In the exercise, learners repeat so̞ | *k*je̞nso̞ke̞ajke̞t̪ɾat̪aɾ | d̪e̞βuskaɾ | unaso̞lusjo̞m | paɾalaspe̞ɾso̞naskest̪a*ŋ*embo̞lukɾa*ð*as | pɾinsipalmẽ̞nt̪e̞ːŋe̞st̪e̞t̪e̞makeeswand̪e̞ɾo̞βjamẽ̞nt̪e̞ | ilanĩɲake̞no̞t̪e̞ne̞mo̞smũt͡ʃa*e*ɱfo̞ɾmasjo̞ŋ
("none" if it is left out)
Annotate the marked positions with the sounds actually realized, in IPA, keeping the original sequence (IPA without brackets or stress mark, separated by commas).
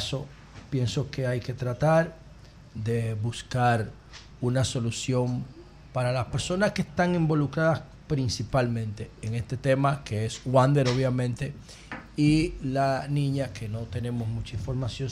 p, ŋ, ð, i